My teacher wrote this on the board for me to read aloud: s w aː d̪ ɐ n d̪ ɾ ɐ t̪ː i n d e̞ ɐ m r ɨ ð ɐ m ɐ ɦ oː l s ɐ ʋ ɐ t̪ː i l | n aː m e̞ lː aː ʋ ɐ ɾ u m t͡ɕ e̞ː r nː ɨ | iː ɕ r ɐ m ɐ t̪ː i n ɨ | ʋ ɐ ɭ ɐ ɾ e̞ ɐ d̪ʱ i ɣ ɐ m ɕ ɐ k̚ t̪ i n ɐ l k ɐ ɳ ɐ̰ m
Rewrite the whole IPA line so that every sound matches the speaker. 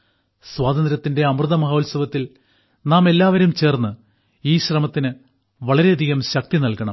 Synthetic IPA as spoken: s w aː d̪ ɐ n d̪ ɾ ɐ t̪ː i n d e̞ ɐ m r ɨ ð ɐ m ɐ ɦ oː l s ɐ ʋ ɐ t̪ː i l | n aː m e̞ lː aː ʋ ɐ ɾ u m t͡ɕ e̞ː r nː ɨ | iː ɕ r ɐ m ɐ t̪ː i n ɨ | ʋ ɐ ɭ ɐ ɾ e̞ ɐ d̪ʱ i ɣ ɐ m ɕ ɐ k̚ t̪ i n ɐ l k ɐ ɳ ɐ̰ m